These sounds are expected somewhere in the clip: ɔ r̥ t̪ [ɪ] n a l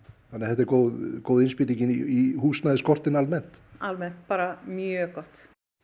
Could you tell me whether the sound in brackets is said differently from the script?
no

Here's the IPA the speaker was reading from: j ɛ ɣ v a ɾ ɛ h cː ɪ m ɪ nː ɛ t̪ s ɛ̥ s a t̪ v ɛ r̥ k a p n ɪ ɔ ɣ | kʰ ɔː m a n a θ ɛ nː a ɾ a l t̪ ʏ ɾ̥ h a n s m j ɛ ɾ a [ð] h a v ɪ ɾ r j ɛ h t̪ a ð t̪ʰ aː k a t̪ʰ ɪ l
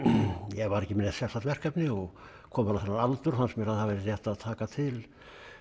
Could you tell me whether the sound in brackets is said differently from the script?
no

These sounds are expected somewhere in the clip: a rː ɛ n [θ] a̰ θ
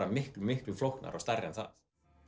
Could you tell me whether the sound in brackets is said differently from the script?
no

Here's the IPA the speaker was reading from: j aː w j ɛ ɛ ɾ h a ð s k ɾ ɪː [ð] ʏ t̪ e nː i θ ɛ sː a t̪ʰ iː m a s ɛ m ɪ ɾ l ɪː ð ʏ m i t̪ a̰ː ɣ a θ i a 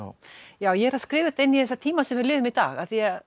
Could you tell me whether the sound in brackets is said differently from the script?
yes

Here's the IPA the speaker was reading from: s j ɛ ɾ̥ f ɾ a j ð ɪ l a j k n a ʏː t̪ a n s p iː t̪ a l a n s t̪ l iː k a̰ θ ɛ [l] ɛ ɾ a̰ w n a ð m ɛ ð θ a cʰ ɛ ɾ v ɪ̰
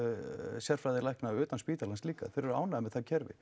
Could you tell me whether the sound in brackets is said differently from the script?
yes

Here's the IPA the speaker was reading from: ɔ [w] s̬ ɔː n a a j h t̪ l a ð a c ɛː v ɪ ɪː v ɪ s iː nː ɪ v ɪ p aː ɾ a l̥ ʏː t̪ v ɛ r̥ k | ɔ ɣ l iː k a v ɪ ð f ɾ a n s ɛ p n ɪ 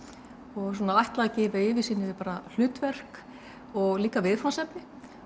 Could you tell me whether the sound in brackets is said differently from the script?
yes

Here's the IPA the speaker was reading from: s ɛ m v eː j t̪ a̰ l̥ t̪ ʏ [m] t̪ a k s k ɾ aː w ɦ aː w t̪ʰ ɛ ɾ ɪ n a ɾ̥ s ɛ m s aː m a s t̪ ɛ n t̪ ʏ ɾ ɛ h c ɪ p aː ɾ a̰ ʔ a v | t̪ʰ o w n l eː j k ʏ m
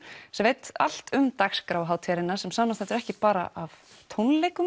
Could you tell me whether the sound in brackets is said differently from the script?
no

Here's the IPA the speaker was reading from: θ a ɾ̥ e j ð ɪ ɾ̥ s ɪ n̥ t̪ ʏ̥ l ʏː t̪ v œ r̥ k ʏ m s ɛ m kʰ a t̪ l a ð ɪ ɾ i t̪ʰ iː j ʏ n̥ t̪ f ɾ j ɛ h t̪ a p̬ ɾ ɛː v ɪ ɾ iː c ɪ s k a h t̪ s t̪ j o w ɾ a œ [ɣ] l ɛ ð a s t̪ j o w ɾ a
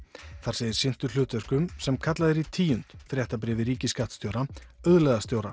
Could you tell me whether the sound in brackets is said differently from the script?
yes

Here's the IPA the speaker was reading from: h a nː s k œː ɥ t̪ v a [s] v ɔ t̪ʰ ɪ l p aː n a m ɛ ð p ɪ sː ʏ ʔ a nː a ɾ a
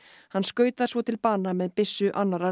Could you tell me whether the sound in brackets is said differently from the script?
no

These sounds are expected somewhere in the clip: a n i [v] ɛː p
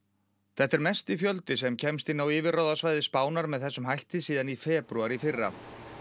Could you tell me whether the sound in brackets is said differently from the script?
yes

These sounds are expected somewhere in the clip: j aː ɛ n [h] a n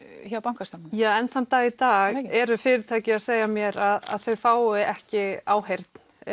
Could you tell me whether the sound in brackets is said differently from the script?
yes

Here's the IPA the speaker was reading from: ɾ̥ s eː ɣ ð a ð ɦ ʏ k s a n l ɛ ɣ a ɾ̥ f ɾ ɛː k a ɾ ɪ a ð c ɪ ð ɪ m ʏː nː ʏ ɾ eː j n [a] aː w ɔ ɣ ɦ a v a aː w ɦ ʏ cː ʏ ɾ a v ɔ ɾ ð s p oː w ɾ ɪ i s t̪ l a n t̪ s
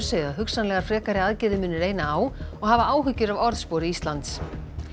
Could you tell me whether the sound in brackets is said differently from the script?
no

